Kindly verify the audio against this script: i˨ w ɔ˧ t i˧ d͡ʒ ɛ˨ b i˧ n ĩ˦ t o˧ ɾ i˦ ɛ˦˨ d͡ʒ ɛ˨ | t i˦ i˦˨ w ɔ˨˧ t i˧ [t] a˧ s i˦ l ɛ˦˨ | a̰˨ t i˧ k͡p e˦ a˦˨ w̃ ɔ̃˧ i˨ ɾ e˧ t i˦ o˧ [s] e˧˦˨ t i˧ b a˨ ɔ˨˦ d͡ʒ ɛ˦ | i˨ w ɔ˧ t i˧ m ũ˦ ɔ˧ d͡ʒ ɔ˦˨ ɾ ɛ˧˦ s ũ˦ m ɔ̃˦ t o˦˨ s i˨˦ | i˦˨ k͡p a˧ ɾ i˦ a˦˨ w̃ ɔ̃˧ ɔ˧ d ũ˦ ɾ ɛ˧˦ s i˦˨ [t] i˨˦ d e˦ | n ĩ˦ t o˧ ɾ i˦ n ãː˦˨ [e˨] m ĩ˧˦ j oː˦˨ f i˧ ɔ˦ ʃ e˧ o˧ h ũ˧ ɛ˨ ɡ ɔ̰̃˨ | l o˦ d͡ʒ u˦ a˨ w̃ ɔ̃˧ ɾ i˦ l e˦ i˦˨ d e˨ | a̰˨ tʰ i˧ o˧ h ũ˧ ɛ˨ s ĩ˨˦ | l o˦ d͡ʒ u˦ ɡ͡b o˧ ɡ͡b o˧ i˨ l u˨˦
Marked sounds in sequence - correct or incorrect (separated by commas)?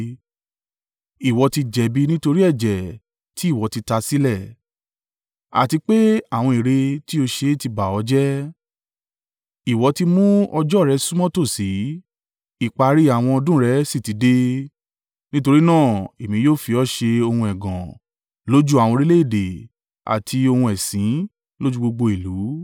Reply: correct, incorrect, correct, correct